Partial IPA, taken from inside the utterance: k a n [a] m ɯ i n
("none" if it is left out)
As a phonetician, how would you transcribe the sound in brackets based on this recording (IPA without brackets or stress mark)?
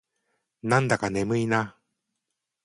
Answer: e